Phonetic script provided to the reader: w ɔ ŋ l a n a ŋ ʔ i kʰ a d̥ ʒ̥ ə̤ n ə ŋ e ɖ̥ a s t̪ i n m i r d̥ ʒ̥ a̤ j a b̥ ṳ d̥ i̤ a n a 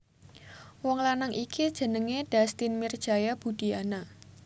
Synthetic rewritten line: w ɔ ŋ l a n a ŋ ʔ i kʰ i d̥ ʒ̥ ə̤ n ə ŋ e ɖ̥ a s t̪ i n m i r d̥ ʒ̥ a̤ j a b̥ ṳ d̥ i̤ a n a